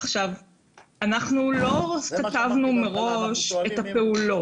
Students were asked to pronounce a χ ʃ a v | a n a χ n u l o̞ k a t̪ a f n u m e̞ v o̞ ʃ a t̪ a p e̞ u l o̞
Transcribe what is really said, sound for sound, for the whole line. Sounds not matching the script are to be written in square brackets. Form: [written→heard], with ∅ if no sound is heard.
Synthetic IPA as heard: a χ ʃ a v | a n a χ n u l o̞ k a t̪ a [f→v] n u m e̞ [v→ʁ] o̞ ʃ [a→e] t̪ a p e̞ u l o̞